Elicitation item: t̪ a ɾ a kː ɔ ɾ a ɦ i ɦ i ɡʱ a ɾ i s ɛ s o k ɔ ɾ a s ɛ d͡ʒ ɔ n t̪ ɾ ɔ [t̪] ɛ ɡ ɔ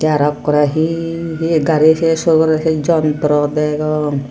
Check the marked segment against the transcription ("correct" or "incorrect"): incorrect